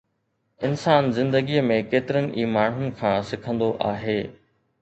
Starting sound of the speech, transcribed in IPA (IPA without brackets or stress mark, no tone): ɪ